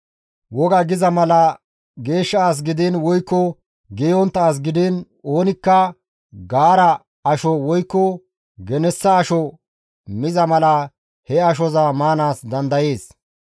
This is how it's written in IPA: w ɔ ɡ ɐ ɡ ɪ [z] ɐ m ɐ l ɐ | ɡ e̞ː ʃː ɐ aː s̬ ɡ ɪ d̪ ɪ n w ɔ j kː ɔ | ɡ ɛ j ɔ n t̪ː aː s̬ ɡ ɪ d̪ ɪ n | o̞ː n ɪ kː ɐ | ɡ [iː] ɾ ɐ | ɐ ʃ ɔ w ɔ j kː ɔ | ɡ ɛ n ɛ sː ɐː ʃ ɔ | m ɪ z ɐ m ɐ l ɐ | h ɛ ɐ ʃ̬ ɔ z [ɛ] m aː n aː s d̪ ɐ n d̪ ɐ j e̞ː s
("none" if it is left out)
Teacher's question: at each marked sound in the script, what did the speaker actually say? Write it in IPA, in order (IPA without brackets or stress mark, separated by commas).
z, aː, a